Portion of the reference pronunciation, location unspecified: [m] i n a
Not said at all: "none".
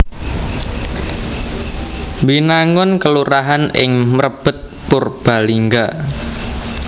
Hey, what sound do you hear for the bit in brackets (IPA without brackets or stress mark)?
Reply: b